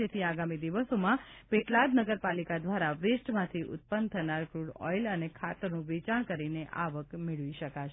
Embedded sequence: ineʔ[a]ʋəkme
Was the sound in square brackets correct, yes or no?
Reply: yes